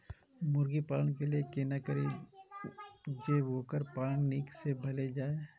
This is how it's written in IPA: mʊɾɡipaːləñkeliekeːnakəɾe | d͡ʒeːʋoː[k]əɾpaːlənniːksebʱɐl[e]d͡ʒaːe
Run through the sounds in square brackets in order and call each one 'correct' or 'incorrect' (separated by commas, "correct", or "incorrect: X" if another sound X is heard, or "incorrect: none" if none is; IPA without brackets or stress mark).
correct, correct